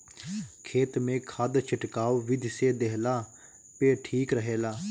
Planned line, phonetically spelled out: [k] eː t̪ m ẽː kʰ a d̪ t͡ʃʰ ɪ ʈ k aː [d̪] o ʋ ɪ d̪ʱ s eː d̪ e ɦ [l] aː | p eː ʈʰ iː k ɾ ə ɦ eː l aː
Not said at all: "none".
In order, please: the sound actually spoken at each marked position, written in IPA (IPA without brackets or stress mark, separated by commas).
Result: kʰ, none, l